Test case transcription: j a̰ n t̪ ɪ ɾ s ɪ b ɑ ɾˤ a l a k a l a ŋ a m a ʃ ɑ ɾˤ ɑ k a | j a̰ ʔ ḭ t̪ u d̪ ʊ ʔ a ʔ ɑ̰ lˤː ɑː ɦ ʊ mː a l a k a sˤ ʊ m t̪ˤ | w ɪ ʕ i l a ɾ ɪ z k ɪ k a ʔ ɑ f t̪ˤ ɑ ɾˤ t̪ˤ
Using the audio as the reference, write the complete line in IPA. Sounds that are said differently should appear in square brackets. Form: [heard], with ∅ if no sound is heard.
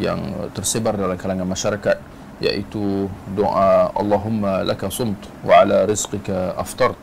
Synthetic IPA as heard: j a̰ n t̪ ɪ ɾ s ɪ b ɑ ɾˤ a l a k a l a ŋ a m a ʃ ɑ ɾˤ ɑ k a | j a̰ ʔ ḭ t̪ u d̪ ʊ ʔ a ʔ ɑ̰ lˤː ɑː ɦ ʊ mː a l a k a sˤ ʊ m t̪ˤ | w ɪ ʕ [a] l a ɾ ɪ z [q] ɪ k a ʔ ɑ f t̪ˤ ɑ ɾˤ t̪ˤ